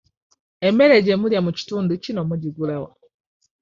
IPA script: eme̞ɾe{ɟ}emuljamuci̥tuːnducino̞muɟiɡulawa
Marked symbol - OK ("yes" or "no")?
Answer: yes